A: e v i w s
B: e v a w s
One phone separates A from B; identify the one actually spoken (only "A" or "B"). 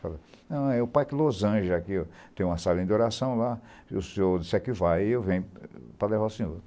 B